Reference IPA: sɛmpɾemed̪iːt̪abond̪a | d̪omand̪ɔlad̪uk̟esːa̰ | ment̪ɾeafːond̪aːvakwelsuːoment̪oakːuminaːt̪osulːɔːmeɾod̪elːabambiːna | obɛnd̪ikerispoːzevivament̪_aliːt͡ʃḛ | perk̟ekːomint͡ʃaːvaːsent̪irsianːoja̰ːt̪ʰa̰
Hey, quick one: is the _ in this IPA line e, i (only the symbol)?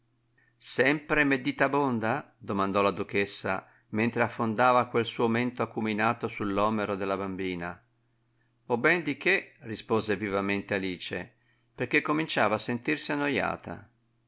e